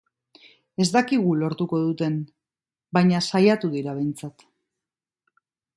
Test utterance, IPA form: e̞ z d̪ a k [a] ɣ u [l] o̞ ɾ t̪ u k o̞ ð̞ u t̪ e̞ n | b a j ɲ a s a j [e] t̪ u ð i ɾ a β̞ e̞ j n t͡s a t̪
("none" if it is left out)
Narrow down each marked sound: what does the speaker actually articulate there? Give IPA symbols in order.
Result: i, l, a

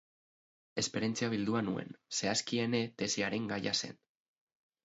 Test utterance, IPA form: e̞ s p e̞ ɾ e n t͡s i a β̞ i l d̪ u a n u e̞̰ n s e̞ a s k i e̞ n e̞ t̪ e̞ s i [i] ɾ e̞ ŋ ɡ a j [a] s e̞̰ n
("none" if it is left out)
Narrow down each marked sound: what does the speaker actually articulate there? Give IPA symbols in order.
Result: a, a

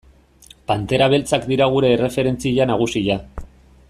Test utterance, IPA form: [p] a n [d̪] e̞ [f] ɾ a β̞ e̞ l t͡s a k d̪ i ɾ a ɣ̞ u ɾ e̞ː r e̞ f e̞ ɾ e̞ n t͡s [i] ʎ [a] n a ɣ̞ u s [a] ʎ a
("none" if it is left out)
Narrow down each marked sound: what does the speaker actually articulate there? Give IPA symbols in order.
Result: p, t̪, none, i, a, i

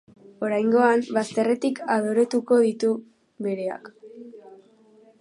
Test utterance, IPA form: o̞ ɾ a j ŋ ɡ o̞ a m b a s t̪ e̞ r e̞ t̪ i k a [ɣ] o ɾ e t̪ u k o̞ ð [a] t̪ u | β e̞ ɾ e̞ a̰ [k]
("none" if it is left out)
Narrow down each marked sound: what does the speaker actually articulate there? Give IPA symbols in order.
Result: ð, i, k

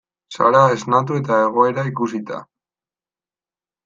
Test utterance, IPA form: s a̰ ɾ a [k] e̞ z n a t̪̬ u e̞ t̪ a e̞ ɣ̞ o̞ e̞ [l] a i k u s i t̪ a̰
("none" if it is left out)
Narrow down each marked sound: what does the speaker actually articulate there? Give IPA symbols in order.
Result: none, ɾ

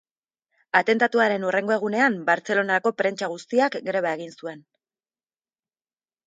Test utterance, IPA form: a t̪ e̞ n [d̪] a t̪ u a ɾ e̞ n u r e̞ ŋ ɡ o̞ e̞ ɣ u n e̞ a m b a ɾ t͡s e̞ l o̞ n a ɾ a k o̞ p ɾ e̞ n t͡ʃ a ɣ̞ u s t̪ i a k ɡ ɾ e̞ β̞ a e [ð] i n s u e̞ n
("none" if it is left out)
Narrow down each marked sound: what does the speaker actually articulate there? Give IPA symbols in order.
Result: t̪, ɣ

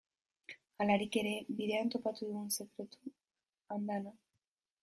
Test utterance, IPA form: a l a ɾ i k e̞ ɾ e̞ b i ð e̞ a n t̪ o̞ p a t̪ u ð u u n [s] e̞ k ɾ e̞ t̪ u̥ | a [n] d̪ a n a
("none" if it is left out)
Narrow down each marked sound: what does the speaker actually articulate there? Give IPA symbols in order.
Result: s, n

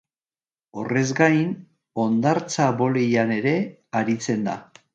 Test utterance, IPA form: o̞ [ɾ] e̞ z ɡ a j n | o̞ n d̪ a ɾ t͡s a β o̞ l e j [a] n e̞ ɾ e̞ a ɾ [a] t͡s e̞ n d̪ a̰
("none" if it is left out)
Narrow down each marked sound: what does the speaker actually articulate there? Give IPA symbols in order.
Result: r, a, i

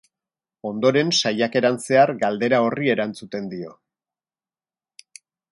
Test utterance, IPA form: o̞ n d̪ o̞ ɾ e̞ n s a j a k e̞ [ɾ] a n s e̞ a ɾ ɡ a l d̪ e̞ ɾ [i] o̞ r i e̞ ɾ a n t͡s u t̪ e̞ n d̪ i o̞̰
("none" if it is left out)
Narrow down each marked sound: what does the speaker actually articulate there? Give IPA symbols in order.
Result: ɾ, a

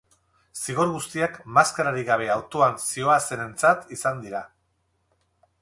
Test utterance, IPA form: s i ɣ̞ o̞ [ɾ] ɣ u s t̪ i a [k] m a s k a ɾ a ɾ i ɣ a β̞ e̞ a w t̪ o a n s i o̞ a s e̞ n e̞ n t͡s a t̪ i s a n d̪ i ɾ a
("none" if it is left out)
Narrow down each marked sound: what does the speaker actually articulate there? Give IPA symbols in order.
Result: ɾ, k

